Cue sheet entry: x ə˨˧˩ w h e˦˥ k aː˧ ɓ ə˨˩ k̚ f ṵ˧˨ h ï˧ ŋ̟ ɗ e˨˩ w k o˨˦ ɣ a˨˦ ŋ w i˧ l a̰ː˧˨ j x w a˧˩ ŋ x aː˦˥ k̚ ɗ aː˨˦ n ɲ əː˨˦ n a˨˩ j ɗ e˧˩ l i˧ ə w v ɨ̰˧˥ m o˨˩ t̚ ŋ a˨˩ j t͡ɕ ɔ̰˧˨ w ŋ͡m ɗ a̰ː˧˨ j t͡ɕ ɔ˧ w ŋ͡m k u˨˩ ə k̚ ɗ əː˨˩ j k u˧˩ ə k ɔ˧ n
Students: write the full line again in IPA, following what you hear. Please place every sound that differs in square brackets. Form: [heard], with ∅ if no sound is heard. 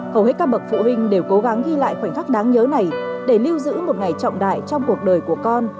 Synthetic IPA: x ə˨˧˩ w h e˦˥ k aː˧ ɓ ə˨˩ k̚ f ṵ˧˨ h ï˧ ŋ̟ ɗ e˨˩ w k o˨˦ ɣ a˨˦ ŋ [ɣ] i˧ l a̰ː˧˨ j x w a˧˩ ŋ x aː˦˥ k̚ ɗ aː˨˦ [ŋ] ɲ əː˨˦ n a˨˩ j ɗ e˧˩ l i˧ ə w [z] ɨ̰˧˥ m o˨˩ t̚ ŋ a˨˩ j t͡ɕ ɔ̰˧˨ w ŋ͡m ɗ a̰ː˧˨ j t͡ɕ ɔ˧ w ŋ͡m k u˨˩ ə k̚ ɗ əː˨˩ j k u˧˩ ə k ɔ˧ n

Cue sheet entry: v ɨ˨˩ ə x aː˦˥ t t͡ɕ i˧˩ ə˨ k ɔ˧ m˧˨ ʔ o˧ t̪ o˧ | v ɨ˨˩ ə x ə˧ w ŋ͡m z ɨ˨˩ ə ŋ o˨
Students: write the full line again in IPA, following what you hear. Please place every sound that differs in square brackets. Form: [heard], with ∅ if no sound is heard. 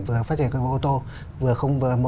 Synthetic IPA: v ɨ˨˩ ə [f] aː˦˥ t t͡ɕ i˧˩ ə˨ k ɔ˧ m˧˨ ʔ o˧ t̪ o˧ | v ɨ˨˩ ə x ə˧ w ŋ͡m [v] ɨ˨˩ ə [m] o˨

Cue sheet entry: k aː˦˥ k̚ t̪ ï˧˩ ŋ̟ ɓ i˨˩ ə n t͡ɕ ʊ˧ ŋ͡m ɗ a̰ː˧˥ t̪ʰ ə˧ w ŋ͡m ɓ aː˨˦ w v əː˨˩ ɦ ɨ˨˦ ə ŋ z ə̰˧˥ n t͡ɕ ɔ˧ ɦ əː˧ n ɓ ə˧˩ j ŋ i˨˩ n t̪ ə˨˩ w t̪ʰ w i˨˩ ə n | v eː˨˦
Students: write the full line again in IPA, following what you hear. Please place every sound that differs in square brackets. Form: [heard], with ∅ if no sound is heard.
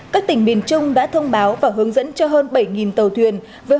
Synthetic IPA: k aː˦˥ k̚ t̪ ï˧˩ ŋ̟ ɓ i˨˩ ə n t͡ɕ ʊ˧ ŋ͡m ɗ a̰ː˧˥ t̪ʰ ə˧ w ŋ͡m ɓ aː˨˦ w v [aː˨˩] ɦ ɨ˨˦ ə ŋ z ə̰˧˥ n t͡ɕ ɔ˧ ɦ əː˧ n ɓ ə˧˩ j ŋ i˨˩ n t̪ ə˨˩ w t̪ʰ w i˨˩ ə n | v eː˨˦

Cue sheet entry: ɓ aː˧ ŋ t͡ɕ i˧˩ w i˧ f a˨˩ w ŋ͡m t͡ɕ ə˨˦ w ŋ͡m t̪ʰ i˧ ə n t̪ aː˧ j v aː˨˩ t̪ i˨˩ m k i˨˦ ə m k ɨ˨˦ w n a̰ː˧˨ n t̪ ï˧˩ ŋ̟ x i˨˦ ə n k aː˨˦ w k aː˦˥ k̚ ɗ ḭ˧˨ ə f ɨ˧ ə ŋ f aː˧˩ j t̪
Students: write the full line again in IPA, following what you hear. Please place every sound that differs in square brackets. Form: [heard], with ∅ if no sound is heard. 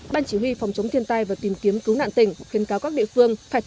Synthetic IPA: ɓ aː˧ [n] t͡ɕ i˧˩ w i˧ f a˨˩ w ŋ͡m t͡ɕ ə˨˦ w ŋ͡m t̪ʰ i˧ ə n t̪ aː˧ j v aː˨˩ t̪ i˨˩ m k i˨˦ ə m k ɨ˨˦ w n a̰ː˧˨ n t̪ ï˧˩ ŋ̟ x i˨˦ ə n k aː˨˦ w k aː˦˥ k̚ ɗ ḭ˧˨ ə f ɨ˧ ə ŋ f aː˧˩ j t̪

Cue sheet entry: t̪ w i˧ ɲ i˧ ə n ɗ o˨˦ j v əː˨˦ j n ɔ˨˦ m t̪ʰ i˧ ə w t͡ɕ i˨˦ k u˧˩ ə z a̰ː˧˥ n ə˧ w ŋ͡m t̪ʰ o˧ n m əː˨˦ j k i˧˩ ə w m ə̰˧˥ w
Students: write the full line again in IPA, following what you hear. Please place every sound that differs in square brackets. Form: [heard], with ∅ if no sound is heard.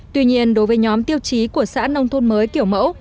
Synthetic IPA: t̪ w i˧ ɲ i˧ ə n ɗ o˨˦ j v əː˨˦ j [ɲ] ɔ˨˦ m [t̪] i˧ ə w t͡ɕ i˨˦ k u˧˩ ə [s] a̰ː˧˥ n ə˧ w ŋ͡m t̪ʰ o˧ n m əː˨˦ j k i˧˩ ə w m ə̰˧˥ w

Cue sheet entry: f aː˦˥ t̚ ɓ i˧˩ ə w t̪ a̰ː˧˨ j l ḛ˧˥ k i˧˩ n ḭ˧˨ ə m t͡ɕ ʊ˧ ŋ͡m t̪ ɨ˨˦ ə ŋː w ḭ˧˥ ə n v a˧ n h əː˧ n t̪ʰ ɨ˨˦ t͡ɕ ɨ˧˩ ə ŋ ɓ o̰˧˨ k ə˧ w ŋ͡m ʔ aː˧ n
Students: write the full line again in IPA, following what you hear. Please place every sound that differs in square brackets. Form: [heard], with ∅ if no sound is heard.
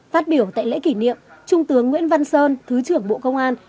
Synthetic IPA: f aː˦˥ t̚ ɓ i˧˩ ə w t̪ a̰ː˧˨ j l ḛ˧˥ k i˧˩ n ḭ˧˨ ə m t͡ɕ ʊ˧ ŋ͡m t̪ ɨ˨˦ ə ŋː w ḭ˧˥ ə n v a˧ n [s] əː˧ n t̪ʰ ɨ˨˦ t͡ɕ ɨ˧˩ ə ŋ ɓ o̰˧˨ k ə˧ w ŋ͡m ʔ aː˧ n

